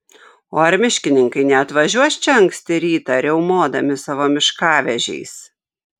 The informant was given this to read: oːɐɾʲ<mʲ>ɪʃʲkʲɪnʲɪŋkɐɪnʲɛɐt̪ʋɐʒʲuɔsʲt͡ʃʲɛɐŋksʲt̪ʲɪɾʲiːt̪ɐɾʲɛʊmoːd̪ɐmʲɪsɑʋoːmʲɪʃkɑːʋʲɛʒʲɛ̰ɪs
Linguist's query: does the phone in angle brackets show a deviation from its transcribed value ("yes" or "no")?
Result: no